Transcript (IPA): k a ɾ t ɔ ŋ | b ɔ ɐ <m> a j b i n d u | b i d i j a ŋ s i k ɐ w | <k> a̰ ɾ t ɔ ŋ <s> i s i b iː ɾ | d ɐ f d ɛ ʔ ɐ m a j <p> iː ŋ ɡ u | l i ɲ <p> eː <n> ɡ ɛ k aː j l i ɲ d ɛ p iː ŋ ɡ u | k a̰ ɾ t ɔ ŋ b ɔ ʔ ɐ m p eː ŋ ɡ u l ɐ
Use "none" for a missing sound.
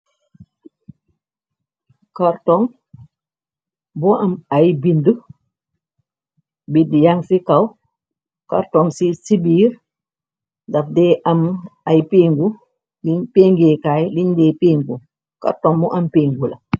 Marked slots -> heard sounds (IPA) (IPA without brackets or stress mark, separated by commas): m, k, s, p, p, ŋ